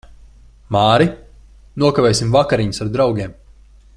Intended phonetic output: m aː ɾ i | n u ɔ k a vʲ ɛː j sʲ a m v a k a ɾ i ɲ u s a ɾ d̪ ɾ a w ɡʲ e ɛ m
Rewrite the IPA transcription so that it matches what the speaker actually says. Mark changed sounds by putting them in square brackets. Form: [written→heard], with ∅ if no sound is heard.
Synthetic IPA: m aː ɾ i | n u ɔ k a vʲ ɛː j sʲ [a→i] m v a k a ɾ i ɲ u s a ɾ d̪ ɾ a w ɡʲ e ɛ m